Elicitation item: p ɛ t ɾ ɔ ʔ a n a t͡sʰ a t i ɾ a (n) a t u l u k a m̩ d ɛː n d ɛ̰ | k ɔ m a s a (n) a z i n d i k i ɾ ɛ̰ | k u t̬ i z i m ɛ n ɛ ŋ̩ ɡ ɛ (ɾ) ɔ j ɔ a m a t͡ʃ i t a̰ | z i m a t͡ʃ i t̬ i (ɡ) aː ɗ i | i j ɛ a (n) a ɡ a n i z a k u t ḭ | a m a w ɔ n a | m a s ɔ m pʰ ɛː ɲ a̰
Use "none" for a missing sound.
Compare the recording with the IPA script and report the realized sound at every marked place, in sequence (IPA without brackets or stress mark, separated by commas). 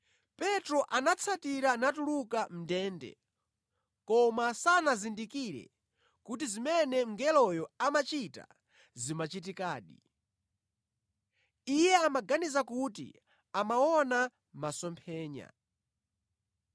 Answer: n, n, l, k, m